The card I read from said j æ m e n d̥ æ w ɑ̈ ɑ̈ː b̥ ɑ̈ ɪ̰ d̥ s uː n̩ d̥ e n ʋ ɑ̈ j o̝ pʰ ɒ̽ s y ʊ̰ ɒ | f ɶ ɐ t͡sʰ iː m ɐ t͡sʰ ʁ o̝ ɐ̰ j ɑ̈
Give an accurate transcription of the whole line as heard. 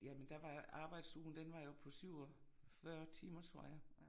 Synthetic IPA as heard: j æ m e n d̥ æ ʋ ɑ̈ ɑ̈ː b̥ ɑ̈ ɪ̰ d̥ s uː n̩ d̥ e n ʋ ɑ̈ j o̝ pʰ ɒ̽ s y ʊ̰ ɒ | f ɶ ɐ t͡sʰ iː m ɐ t͡sʰ ʁ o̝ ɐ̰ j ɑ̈

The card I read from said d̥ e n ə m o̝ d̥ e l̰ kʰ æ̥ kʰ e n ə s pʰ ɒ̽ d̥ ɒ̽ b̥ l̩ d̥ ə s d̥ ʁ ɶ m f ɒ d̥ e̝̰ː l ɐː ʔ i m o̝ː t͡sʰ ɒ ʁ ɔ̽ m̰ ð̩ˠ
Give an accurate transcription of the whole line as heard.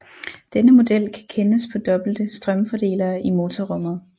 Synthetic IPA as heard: d̥ e n ə m o̝ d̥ e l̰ kʰ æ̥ kʰ e n ə s pʰ ɒ̽ d̥ ɒ̽ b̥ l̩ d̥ ə s d̥ ʁ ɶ m f ɒ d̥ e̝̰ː l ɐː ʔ i m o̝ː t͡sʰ ɒ ʁ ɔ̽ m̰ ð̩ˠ

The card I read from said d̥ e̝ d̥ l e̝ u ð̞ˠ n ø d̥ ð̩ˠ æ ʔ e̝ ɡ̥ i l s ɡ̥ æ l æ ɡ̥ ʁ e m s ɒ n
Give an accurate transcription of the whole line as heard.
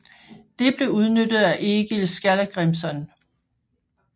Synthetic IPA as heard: d̥ e̝ b̥ l e̝ u ð̞ˠ n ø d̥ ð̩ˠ æ ʔ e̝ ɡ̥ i l s ɡ̥ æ l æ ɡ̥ ʁ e m s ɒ n

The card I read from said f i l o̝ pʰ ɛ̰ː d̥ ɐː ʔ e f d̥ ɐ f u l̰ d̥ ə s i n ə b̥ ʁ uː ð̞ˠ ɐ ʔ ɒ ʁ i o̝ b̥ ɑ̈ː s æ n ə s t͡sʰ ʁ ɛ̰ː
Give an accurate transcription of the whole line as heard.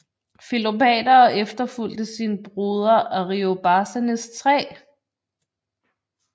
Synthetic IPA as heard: f i l o̝ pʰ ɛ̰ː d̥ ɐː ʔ e f d̥ ɐ f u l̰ d̥ ə s i n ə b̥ ʁ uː ð̞ˠ ɐ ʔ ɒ ʁ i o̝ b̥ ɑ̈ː s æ n ə s t͡sʰ ʁ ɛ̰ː

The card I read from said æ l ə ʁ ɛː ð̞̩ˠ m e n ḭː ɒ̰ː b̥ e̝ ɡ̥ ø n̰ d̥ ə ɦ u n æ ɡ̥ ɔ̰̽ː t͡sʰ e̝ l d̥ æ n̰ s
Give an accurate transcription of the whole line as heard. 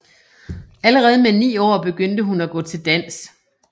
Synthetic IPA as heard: æ l ə ʁ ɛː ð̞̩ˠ m e n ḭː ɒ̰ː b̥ e̝ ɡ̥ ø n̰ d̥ ə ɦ u n æ ɡ̥ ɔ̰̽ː t͡sʰ e̝ l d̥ æ n̰ s

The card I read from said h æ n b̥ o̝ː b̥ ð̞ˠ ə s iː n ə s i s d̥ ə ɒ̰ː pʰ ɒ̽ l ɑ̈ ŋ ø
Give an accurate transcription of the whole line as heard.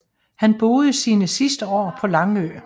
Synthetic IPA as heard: h æ n b̥ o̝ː ð̞ˠ ə s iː n ə s i s d̥ ə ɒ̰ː pʰ ɒ̽ l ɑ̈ ŋ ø

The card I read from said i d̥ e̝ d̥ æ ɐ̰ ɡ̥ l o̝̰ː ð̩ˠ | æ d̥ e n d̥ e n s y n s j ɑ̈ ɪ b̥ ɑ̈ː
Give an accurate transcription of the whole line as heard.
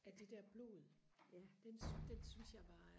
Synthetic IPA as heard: æ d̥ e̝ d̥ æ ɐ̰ b̥ l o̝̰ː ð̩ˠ | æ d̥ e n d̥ e n s y n s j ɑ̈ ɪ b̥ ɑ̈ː

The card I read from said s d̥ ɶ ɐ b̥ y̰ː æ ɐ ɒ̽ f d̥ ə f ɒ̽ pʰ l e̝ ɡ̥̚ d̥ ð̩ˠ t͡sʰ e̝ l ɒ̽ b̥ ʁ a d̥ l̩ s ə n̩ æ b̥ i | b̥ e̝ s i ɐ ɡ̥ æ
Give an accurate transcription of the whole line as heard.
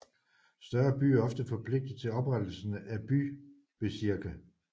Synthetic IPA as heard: s d̥ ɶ ɐ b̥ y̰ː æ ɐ ɒ̽ f d̥ ə f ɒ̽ pʰ l e̝ ɡ̥̚ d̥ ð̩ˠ t͡sʰ e̝ l ɒ̽ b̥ ʁ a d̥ l̩ s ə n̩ æ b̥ y | b̥ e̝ s i ɐ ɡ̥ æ

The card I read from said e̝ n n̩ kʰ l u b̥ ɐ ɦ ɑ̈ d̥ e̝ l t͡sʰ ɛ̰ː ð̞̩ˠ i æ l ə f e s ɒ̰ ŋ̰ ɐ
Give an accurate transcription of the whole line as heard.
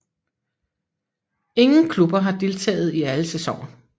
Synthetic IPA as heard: e̝ ŋ n̩ kʰ l u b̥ ɐ ɦ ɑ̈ d̥ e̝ l t͡sʰ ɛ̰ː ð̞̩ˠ i æ l ə s e s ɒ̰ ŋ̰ ɐ

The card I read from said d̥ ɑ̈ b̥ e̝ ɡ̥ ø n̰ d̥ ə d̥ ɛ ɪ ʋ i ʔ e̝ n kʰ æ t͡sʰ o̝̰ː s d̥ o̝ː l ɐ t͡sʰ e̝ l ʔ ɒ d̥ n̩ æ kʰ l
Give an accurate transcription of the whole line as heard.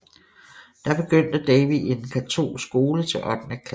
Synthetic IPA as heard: d̥ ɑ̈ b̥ e̝ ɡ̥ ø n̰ d̥ ə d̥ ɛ ɪ ʋ i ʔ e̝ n kʰ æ t͡sʰ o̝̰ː s ɡ̥ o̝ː l ə t͡sʰ e̝ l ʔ ɒ d̥ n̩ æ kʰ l

